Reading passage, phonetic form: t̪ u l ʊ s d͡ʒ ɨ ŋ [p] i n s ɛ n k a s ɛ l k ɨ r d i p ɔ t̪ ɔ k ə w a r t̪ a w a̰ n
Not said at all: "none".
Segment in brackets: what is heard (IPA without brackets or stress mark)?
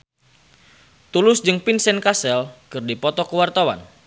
p